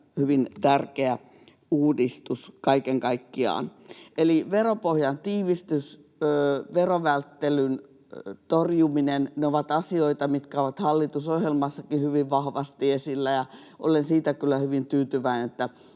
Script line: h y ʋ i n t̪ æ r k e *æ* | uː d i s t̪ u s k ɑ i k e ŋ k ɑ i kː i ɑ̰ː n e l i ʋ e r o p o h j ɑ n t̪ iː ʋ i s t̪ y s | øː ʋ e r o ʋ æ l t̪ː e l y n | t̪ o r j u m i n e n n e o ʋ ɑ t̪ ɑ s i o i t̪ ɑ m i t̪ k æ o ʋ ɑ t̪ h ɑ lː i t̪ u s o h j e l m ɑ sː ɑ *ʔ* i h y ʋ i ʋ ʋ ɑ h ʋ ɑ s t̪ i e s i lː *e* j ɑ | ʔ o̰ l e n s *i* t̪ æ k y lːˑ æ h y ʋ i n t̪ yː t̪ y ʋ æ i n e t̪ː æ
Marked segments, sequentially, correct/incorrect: correct, incorrect, incorrect, incorrect

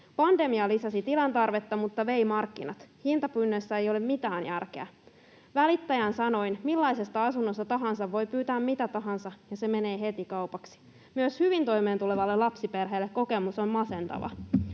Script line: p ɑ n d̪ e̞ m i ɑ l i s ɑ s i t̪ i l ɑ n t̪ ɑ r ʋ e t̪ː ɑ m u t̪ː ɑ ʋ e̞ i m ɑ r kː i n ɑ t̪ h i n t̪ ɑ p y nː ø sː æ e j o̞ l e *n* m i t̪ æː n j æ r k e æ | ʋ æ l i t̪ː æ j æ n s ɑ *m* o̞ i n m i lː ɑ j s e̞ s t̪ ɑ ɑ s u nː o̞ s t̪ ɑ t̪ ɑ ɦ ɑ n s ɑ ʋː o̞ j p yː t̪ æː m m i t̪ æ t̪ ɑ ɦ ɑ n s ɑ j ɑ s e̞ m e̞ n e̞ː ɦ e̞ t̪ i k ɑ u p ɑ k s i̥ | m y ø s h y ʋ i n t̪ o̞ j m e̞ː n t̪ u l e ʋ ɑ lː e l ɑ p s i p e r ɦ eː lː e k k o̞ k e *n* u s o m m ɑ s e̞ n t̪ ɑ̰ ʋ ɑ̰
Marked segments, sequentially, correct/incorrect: incorrect, incorrect, incorrect

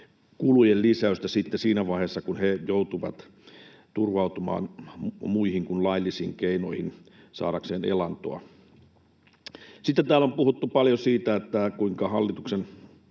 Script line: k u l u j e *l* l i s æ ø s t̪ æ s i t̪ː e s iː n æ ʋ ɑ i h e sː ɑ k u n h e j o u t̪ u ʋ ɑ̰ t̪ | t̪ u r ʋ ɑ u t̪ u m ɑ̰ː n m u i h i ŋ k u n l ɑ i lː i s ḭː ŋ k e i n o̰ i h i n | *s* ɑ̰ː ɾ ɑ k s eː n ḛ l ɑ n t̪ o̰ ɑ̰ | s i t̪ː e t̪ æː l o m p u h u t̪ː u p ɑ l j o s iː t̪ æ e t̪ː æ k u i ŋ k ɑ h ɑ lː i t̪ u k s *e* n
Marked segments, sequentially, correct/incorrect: correct, correct, correct

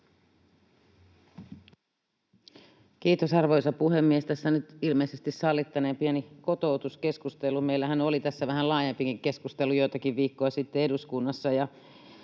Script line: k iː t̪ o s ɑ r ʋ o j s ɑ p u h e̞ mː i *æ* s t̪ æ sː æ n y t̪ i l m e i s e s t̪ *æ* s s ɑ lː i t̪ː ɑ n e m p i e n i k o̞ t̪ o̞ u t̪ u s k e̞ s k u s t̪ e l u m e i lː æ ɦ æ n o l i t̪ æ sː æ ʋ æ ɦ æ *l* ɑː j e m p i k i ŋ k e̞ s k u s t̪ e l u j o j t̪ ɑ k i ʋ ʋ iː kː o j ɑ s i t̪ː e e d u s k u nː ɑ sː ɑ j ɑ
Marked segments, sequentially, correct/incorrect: incorrect, incorrect, correct

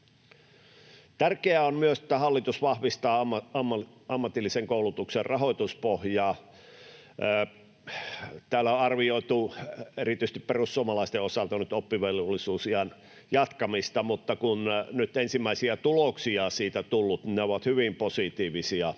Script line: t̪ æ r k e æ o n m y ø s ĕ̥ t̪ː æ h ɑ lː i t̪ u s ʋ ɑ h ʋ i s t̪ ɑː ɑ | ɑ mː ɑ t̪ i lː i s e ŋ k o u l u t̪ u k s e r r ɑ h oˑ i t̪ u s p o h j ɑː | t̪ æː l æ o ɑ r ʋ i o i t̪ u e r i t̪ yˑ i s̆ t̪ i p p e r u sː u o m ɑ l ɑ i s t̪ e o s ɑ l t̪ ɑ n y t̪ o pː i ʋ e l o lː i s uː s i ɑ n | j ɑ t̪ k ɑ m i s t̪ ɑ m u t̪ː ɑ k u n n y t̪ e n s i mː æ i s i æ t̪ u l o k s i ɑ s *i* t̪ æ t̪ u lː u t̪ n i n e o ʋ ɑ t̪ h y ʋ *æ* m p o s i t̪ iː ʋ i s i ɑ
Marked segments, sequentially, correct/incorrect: incorrect, incorrect

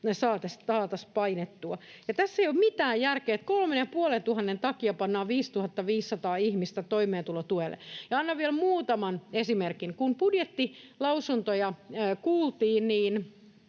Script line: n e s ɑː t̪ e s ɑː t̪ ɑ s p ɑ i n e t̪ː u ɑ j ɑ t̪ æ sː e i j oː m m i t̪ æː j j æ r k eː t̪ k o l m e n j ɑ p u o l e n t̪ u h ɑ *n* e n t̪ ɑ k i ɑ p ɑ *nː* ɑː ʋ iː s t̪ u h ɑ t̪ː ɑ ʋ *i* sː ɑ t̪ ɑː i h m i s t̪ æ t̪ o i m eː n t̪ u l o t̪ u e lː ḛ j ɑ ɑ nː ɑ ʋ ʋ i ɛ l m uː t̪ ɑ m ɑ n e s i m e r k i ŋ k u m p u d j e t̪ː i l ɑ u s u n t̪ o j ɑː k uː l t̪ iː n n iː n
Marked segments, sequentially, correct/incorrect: incorrect, correct, incorrect

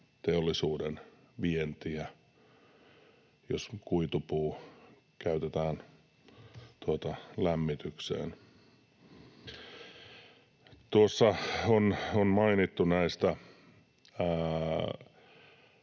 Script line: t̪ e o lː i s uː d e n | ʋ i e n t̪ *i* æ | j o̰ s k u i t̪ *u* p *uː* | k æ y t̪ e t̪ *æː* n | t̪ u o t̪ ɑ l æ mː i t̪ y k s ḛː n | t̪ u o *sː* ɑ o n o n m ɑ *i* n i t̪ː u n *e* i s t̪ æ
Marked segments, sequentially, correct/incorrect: correct, correct, correct, correct, correct, correct, incorrect

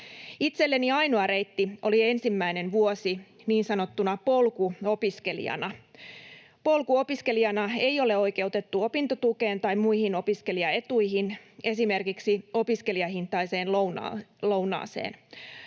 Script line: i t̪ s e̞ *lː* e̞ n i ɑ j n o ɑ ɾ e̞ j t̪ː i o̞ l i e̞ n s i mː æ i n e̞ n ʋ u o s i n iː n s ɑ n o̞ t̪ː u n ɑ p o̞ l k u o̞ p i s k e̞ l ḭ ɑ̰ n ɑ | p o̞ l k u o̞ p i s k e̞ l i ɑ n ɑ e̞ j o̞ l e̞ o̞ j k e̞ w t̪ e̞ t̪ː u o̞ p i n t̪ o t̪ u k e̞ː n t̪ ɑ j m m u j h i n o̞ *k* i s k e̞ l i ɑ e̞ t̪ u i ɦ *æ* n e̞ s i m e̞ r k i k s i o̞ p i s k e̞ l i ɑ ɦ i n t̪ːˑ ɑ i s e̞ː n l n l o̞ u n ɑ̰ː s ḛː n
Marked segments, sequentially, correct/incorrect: correct, incorrect, incorrect

